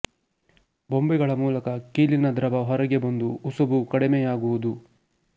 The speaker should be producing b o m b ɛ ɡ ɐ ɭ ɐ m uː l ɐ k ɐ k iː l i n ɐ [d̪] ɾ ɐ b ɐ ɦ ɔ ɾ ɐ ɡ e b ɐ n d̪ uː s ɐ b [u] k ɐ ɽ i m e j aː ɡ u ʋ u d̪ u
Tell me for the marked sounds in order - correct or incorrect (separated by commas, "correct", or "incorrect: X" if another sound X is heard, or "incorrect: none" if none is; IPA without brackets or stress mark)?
correct, correct